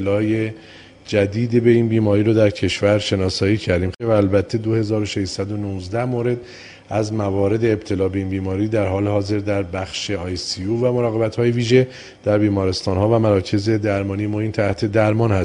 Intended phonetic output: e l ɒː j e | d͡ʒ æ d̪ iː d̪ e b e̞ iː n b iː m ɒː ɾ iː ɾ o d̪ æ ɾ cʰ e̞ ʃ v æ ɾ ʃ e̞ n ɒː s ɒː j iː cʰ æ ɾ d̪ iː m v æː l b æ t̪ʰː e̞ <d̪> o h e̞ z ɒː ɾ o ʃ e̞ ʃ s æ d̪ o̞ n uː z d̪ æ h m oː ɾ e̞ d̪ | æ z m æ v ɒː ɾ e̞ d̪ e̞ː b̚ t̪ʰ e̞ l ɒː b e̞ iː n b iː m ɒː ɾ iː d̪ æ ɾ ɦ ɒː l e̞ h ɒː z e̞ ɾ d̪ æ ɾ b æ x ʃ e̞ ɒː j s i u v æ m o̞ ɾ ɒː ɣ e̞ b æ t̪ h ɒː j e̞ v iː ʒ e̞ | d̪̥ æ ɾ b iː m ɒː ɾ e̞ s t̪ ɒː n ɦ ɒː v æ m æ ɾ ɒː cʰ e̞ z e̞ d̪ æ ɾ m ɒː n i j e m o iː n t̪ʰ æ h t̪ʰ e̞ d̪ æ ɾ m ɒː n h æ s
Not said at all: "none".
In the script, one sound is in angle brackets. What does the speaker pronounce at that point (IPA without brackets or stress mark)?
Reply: d̪